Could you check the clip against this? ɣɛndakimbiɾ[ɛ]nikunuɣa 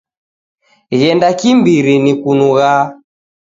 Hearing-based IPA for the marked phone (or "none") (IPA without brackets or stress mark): i